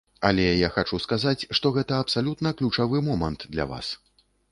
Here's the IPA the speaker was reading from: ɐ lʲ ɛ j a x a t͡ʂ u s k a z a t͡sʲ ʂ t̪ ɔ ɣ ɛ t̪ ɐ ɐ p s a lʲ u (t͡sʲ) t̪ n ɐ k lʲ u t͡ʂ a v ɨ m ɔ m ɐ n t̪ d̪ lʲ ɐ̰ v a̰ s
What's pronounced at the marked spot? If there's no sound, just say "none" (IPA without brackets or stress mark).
none